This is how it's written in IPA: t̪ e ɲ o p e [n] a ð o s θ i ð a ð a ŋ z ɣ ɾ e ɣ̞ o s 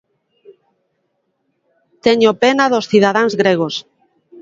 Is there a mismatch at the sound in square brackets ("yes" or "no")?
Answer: no